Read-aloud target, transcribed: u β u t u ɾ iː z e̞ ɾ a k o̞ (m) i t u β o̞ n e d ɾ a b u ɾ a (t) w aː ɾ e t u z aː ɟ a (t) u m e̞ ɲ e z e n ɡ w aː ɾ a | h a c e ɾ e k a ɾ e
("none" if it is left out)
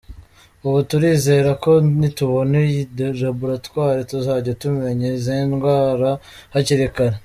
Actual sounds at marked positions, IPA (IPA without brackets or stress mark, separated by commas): n, t, t